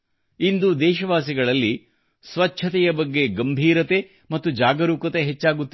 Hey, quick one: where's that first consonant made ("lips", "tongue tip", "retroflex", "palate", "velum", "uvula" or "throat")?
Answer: tongue tip